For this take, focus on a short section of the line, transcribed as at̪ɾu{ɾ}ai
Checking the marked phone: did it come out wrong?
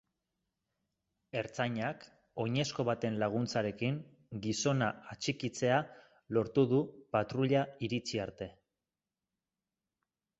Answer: yes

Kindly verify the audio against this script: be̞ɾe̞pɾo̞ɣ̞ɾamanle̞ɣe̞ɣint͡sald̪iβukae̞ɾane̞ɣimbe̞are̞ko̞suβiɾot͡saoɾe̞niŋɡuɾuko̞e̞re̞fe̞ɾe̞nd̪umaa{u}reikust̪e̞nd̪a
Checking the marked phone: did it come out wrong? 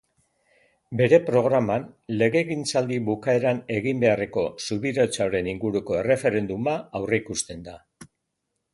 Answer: yes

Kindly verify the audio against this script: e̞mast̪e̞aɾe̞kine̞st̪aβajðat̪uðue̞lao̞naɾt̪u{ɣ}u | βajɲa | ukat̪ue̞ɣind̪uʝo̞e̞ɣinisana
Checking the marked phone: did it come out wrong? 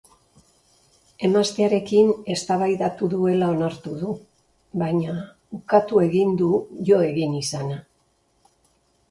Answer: yes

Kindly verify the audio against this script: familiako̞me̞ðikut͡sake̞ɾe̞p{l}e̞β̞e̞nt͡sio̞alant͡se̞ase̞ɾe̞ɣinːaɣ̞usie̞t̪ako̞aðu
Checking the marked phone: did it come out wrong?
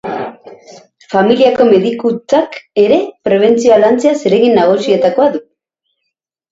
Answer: yes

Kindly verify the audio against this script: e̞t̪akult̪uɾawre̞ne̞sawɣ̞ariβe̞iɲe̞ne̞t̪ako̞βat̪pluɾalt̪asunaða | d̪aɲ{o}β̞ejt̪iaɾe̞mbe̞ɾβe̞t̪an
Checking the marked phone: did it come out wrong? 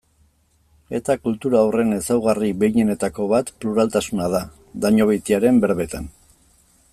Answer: no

